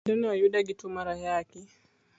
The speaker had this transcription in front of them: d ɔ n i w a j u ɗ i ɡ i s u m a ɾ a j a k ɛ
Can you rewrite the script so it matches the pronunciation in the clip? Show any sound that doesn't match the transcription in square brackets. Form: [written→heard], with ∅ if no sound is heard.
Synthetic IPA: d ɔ n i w a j u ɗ [i→a] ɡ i [s→t] u m a ɾ a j a k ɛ